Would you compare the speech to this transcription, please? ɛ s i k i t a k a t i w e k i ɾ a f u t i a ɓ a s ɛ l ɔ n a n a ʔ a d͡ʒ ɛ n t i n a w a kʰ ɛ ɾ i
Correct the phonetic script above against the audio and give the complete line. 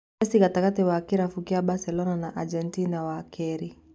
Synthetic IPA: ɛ s i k a t a k a t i w a k i ɾ a f u k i a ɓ a s ɛ l ɔ n a n a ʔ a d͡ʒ ɛ n t i n a w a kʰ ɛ ɾ i